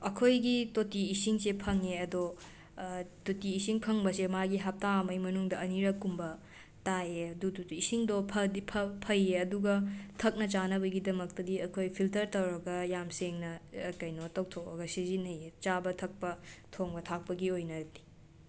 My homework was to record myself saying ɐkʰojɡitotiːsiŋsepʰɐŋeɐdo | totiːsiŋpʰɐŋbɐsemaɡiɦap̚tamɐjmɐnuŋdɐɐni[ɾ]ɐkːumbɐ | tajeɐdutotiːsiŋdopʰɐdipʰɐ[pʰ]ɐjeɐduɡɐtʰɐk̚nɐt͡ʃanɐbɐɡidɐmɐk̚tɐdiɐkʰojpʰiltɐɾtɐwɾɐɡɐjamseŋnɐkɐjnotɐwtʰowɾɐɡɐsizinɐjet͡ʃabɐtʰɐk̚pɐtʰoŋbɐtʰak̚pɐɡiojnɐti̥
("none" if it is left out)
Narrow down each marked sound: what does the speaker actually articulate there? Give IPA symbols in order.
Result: ɾ, pʰ

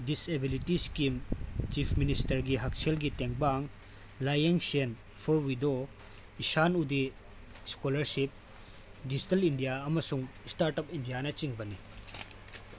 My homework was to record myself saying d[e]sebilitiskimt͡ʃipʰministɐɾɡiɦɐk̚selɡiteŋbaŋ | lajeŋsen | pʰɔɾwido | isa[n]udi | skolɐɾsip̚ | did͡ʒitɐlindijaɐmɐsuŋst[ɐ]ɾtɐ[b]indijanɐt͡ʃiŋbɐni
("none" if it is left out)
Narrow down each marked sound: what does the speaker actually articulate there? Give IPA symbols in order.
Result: i, n, a, p

